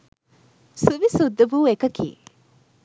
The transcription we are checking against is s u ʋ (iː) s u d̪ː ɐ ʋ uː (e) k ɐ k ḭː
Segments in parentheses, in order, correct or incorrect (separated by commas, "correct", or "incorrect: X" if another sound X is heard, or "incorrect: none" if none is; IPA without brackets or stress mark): incorrect: i, correct